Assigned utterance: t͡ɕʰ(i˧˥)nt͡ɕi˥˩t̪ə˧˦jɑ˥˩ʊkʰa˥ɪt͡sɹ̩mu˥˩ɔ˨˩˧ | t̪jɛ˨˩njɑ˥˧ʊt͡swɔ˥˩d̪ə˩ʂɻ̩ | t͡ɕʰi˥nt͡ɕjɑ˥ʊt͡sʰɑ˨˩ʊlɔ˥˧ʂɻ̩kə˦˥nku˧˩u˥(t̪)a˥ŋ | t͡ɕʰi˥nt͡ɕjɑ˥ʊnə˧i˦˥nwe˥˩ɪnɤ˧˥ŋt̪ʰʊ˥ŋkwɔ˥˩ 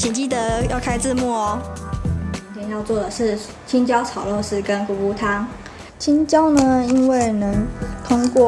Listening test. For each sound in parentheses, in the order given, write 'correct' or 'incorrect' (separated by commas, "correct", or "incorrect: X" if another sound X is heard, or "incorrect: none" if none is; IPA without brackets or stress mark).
incorrect: i˨˩, incorrect: t̪ʰ